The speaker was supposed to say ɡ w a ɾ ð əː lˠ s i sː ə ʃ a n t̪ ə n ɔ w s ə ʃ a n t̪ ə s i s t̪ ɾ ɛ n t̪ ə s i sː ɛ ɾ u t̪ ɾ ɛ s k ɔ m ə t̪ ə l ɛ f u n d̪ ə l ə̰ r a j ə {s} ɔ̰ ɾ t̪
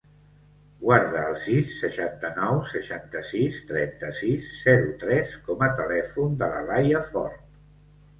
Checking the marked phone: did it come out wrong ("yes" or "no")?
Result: yes